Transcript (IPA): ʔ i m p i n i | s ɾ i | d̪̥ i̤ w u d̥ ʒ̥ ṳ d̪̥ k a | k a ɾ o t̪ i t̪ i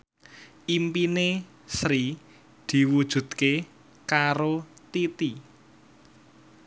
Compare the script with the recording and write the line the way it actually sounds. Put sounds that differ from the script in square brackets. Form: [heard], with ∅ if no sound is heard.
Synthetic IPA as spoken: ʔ i m p i n [e] | s ɾ i | d̪̥ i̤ w u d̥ ʒ̥ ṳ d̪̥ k [e] | k a ɾ o t̪ i t̪ i